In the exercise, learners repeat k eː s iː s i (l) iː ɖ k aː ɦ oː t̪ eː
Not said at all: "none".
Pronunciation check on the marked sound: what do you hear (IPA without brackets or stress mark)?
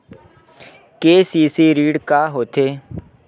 ɾ